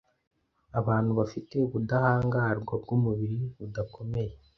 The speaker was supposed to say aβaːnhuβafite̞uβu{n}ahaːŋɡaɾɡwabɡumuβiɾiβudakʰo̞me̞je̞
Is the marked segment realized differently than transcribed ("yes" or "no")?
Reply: yes